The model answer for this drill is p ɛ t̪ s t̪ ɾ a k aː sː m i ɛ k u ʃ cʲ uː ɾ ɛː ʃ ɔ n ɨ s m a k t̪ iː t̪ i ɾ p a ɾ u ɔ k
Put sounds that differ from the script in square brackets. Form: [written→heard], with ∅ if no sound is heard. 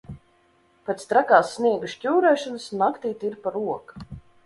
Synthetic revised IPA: p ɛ t̪ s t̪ ɾ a k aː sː [m→n] i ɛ [k→ɡ] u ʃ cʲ uː ɾ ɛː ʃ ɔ n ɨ s [m→n] a k t̪ iː t̪ i ɾ p a ɾ u ɔ k